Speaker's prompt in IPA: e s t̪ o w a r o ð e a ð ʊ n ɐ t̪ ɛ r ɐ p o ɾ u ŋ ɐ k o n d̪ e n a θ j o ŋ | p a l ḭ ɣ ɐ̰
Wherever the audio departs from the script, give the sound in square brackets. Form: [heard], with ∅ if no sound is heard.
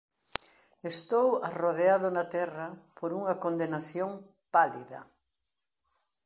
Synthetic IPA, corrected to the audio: e s t̪ o w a r o ð e a ð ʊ n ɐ t̪ ɛ r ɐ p o ɾ u ŋ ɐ k o n d̪ e n a θ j o ŋ | p a l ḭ [ð] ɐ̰